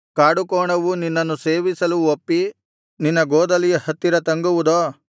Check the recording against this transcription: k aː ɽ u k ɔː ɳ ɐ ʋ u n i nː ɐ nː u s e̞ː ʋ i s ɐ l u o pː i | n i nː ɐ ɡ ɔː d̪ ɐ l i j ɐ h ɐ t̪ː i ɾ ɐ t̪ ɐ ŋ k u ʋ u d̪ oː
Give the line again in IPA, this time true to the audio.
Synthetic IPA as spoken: k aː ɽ u k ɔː ɳ ɐ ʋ u n i nː ɐ nː u s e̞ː ʋ i s ɐ l u o pː i | n i nː ɐ ɡ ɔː d̪ ɐ l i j ɐ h ɐ t̪ː i ɾ ɐ t̪ ɐ ŋ ɡ u ʋ u d̪ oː